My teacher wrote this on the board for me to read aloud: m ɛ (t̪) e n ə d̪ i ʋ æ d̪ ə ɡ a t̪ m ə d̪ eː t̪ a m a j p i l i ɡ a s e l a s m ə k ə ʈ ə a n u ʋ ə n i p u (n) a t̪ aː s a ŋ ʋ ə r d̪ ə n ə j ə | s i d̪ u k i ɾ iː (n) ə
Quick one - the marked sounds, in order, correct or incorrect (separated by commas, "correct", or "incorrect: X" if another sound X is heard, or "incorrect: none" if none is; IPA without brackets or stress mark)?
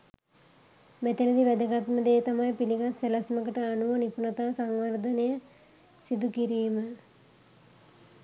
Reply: correct, correct, incorrect: m